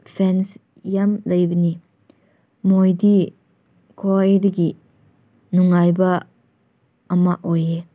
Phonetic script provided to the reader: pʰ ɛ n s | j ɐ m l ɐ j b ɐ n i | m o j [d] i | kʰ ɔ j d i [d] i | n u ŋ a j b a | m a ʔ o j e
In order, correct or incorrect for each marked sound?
correct, incorrect: ɡ

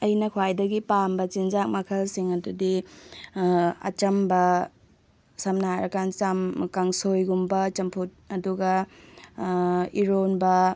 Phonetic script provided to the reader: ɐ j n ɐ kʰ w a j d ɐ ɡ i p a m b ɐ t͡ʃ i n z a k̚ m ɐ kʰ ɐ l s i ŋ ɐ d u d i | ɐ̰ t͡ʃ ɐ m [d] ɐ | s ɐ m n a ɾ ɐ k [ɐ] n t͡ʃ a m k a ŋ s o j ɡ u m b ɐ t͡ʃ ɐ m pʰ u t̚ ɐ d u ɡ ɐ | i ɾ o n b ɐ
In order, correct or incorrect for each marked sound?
incorrect: b, incorrect: a

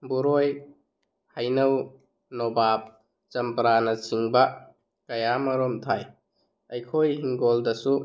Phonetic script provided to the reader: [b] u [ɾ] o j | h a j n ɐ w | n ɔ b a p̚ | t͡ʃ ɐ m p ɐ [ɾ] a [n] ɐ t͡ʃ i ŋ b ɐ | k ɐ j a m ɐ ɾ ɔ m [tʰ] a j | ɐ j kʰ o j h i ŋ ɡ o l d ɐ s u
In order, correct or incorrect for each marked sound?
correct, correct, correct, correct, correct

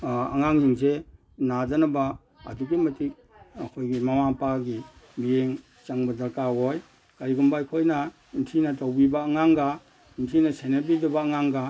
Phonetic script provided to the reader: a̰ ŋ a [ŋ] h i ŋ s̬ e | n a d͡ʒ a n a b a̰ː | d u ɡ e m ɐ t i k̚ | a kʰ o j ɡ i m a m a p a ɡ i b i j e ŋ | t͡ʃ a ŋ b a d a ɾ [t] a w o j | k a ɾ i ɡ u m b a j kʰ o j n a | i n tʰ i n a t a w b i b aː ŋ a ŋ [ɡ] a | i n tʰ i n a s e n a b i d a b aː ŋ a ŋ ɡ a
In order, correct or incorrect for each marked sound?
correct, incorrect: k, correct

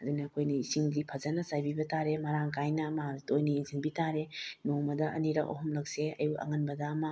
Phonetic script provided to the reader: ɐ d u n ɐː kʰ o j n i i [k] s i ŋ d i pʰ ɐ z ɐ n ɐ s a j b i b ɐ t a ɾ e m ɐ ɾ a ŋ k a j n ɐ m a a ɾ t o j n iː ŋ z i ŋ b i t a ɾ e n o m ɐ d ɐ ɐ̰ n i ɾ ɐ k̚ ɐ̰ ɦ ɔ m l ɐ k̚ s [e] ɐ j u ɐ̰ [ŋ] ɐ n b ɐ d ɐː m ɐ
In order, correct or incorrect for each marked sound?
incorrect: none, correct, correct

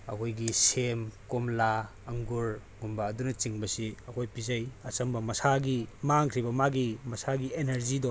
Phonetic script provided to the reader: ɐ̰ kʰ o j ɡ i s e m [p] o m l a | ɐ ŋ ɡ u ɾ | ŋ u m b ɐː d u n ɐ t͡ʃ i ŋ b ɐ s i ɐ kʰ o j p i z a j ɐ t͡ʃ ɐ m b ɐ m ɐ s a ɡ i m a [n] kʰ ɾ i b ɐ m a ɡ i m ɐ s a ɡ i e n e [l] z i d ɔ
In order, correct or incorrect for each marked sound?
incorrect: k, incorrect: ŋ, incorrect: ɾ

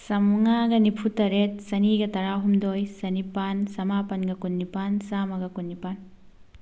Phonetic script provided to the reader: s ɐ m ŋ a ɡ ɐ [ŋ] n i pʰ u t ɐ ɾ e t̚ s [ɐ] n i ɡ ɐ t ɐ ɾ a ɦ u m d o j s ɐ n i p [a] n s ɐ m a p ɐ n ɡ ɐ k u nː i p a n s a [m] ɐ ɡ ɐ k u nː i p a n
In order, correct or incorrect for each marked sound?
incorrect: none, correct, correct, correct

